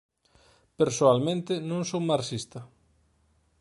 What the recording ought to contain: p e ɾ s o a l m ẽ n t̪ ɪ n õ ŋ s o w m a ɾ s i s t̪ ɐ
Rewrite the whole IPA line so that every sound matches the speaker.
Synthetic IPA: p e ɾ s o a l m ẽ n t̪ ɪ n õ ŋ s o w m a ɾ s i s t̪ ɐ

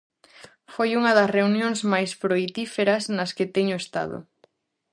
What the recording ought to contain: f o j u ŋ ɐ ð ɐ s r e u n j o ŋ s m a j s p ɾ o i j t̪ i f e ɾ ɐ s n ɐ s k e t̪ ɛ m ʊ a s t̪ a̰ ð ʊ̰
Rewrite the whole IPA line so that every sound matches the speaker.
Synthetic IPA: f o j u ŋ ɐ ð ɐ s r e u n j o ŋ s m a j s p ɾ o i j t̪ i f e ɾ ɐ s n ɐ s k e t̪ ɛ ɲ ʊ e s t̪ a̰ ð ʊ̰

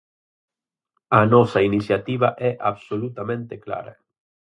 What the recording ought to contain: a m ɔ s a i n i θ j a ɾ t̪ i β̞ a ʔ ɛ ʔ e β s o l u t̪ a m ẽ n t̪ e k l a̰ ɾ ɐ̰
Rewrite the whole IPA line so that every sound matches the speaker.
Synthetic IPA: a n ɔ s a i n i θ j a t̪ i β̞ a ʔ ɛ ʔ a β s o l u t̪ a m ẽ n t̪ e k l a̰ ɾ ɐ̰

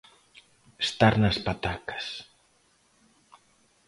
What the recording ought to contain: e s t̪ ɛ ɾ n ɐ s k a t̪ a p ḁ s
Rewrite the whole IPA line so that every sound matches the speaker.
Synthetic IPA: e s t̪ a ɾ n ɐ s p a t̪ a k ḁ s

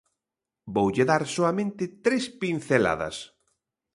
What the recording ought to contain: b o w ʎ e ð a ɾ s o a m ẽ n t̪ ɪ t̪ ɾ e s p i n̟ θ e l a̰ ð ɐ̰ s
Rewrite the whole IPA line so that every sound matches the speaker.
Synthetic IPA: b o w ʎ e ð a ɾ s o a m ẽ n t̪ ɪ t̪ ɾ e s p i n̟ θ e l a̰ ð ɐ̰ s

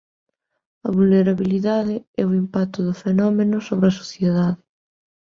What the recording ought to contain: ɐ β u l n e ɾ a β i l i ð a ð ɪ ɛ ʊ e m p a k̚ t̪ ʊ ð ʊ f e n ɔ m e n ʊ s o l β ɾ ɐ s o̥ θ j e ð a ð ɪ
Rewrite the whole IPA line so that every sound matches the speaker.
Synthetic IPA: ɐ β u l n e ɾ a β i l i ð a ð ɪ ɛ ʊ i m p a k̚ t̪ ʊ ð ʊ f e n ɔ m e n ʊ s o β ɾ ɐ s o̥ θ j e ð a ð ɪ

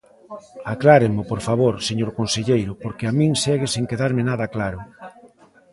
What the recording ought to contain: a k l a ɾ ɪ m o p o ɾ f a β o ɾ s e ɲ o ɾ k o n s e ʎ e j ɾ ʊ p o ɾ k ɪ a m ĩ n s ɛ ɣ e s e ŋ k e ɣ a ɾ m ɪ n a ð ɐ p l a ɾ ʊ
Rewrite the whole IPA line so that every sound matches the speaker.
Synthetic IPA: a k l a ɾ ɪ m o p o ɾ f a β o ɾ s e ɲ o ɾ k o n s e ʎ e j ɾ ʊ p o ɾ k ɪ a m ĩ ŋ s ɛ ɣ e s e ŋ k e ð a ɾ m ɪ n a ð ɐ k l a ɾ ʊ

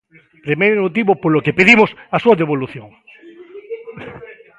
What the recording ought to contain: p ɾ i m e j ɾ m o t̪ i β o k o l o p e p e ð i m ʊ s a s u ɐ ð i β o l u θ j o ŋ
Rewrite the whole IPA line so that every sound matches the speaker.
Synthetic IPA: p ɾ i m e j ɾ m o t̪ i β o p o l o k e p e ð i m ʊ s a s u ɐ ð e β o l u θ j o ŋ

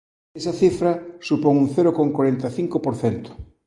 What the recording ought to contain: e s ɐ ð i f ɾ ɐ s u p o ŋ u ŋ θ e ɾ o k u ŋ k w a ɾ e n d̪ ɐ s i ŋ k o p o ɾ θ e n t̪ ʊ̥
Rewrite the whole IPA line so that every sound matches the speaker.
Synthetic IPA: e s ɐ θ i f ɾ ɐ s u p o ŋ u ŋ θ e ɾ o k o ŋ k w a ɾ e n t̪ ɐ θ i ŋ k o p o ɾ θ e n t̪ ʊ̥

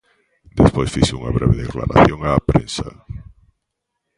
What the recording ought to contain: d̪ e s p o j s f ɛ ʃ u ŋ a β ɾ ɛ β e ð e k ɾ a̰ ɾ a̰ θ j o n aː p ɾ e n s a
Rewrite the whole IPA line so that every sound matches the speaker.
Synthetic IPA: d̪ e s p o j s f i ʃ u ŋ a β ɾ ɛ β e ð e k l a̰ ɾ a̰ θ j o ŋ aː p ɾ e n s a

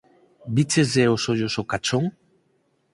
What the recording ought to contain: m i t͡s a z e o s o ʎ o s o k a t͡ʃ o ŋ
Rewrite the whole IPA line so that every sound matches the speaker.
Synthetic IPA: b i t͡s e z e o s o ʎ o s o k a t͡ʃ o ŋ

